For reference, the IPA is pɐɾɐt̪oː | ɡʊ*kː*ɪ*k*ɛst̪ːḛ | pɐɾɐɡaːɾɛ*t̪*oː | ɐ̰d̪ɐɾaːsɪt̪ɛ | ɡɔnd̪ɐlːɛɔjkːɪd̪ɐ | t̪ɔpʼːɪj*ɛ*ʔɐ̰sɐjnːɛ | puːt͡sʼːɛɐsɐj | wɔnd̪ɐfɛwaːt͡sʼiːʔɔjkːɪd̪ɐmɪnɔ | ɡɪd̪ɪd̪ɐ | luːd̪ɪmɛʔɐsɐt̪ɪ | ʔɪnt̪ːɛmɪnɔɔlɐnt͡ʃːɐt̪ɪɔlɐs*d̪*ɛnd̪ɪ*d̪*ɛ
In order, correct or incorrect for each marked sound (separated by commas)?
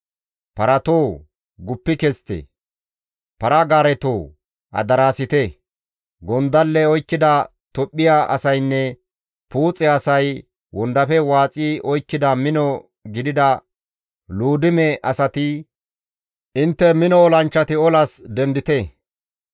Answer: incorrect, correct, correct, incorrect, correct, incorrect